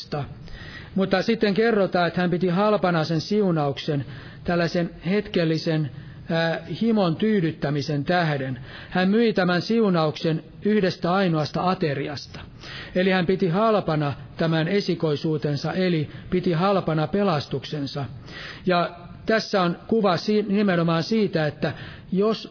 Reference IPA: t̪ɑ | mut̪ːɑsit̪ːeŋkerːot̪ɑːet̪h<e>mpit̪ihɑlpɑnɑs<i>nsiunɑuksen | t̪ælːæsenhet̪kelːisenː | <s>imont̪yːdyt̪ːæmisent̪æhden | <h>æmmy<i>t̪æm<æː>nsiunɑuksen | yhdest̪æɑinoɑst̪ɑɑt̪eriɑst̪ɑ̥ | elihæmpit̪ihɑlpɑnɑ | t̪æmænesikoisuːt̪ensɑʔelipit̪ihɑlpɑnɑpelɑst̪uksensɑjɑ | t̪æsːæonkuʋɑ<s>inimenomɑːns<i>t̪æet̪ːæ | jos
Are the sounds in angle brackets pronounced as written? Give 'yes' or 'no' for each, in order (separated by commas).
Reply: no, no, no, yes, yes, no, yes, no